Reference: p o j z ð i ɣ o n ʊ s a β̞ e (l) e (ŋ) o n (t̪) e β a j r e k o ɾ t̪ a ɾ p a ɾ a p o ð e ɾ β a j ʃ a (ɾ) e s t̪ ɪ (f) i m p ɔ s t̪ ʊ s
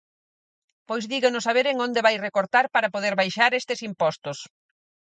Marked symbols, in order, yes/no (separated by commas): no, yes, no, yes, no